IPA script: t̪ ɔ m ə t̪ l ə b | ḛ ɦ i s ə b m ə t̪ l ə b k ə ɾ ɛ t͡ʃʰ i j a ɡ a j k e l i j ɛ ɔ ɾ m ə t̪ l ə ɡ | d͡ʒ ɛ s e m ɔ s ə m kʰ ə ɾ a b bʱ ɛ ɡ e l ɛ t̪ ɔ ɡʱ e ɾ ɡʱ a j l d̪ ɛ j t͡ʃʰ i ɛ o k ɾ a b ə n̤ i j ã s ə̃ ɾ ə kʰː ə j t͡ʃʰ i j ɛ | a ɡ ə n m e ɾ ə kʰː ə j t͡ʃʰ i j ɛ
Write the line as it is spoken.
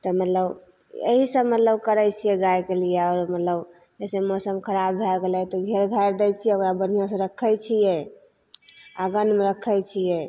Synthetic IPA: t̪ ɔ m ə t̪ l ə b | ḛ ɦ i s ə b m ə t̪ l ə b k ə ɾ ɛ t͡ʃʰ i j ɛ ɡ a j k e l i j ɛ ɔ ɾ m ə t̪ l ə b | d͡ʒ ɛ s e m ɔ s ə m kʰ ə ɾ a b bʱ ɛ ɡ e l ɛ t̪ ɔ ɡʱ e ɾ ɡʱ a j ɾ d̪ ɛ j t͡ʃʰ i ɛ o k ɾ a b ə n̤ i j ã s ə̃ ɾ ə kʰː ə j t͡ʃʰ i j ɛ | a ɡ ə n m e ɾ ə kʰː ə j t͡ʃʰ i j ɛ

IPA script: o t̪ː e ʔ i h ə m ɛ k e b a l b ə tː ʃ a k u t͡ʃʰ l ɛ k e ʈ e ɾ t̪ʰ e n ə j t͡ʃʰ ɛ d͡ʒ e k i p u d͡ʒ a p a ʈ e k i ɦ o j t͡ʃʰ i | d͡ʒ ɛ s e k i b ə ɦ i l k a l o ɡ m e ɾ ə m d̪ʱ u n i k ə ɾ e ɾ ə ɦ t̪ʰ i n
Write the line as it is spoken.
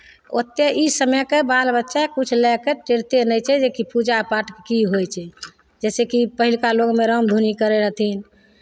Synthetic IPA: o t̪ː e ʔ i s ə m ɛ k e b a l b ə tː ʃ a k u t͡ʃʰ l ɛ k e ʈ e ɾ t̪ e n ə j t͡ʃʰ ɛ d͡ʒ e k i p u d͡ʒ a p a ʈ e k i ɦ o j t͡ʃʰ ɛ | d͡ʒ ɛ s e k i p ə ɦ i l k a l o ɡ m e ɾ ə m d̪ʱ u n i k ə ɾ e ɾ ə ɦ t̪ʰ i n

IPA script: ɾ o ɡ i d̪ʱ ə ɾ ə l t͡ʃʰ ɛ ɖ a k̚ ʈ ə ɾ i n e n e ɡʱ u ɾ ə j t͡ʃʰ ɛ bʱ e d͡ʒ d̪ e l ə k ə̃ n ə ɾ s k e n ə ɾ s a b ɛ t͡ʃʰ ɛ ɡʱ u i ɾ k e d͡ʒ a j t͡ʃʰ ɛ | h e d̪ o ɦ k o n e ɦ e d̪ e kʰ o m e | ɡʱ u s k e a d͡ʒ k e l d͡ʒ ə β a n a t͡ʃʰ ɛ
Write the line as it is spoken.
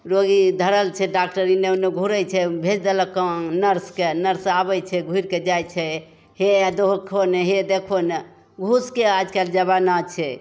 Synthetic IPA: ɾ o ɡ i d̪ʱ ə ɾ ə l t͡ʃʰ ɛ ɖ a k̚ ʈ ə ɾ i n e n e ɡʱ u ɾ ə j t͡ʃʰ ɛ bʱ e d͡ʒ d̪ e l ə k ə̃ n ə ɾ s k e n ə ɾ s a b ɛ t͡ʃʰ ɛ ɡʱ u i ɾ k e d͡ʒ a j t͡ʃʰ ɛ | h e d̪ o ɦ kʰ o n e ɦ e d̪ e kʰ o n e | ɡʱ u s k e a d͡ʒ k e l d͡ʒ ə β a n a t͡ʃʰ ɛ

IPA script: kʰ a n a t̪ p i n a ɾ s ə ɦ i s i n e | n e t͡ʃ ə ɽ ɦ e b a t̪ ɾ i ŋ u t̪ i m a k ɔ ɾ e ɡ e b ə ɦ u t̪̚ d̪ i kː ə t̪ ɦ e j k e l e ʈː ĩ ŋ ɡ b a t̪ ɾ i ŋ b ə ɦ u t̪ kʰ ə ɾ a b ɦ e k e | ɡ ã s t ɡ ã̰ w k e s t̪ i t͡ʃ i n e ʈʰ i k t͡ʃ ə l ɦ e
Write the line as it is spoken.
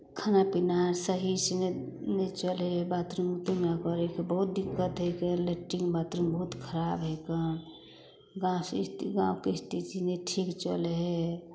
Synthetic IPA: kʰ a n a p i n a ɾ s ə ɦ i s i n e | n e t͡ʃ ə l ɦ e b a t̪ ɾ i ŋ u t̪ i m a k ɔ ɾ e k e b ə ɦ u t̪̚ d̪ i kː ə t̪ ɦ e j k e l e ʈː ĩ ŋ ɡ b a t̪ ɾ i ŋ b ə ɦ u t̪ kʰ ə ɾ a b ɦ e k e | ɡ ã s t ɡ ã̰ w k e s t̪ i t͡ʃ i n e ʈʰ i k t͡ʃ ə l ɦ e

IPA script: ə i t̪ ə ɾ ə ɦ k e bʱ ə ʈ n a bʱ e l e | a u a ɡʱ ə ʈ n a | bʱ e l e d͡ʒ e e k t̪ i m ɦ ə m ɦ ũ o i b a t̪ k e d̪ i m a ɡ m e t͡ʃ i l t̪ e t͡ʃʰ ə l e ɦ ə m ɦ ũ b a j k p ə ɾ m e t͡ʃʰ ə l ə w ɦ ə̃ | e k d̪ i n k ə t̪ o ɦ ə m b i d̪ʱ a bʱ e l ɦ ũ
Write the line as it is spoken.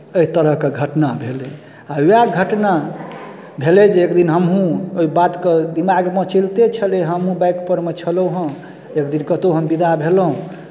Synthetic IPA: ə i t̪ ə ɾ ə ɦ k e ɡʱ ə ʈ n a bʱ e l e | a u a ɡʱ ə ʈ n a | bʱ e l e d͡ʒ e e k d̪ i n ɦ ə m ɦ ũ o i b a t̪ k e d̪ i m a ɡ m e t͡ʃ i l t̪ e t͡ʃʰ ə l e ɦ ə m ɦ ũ b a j k p ə ɾ m e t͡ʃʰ ə l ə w ɦ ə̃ | e k d̪ i n k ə t̪ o ɦ ə m b i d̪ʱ a bʱ e l ɦ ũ

